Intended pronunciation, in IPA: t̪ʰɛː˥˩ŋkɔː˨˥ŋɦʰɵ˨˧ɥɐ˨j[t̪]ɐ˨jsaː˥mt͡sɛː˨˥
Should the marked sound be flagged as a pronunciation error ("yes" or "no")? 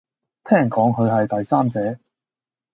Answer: no